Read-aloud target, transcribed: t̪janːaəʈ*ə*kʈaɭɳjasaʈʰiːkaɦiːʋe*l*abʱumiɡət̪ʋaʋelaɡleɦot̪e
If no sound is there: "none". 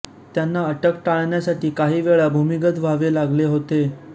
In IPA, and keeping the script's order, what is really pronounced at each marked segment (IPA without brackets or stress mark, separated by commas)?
ə, ɭ